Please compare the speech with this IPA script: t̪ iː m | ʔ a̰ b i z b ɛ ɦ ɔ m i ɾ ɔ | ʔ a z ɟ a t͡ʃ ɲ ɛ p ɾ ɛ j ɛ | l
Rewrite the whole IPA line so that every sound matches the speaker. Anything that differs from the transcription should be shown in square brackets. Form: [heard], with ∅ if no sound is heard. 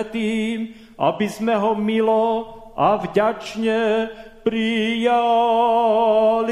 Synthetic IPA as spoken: t̪ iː m | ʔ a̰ b i z [m] ɛ ɦ ɔ m i [l] ɔ | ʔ a [v] ɟ a t͡ʃ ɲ ɛ p ɾ [i] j [a] | l